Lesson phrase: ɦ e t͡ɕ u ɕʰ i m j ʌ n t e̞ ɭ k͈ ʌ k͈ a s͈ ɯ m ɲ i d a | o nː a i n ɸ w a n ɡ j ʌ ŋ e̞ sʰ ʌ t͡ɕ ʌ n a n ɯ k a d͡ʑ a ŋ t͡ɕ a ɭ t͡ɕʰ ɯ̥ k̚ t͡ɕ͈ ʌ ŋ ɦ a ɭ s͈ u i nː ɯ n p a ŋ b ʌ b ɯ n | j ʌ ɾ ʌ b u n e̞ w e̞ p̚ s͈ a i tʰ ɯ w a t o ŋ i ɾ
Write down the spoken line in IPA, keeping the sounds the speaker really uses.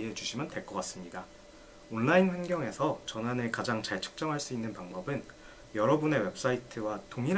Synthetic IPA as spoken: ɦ e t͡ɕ u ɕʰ i m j ʌ n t e̞ ɭ k͈ ʌ k͈ a s͈ ɯ m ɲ i d a | o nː a i n ɸ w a n ɡ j ʌ ŋ e̞ sʰ ʌ t͡ɕ ʌ n a n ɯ k a d͡ʑ a ŋ t͡ɕ a ɭ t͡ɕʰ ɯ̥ k̚ t͡ɕ͈ ʌ ŋ ɦ a ɭ s͈ u i nː ɯ n p a ŋ b ʌ b ɯ n | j ʌ ɾ ʌ b u n e̞ w e̞ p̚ s͈ a i tʰ ɯ w a t o ŋ i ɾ